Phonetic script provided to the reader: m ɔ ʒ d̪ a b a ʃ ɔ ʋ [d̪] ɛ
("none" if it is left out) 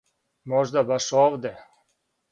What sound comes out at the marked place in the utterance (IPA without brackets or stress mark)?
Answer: d̪